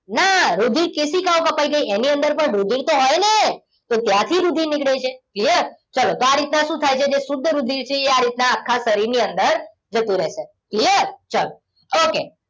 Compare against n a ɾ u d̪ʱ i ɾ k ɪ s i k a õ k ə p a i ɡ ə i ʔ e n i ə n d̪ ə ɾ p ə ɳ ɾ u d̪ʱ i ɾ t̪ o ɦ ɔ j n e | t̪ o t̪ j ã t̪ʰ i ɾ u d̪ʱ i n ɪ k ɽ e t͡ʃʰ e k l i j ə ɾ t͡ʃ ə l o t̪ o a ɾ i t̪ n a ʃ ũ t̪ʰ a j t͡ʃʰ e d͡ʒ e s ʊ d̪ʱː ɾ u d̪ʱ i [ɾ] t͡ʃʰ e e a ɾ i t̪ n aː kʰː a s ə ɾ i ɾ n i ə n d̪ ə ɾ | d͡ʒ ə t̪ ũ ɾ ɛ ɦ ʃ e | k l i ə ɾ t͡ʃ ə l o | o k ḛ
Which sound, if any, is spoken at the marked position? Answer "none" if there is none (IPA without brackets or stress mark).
ɾ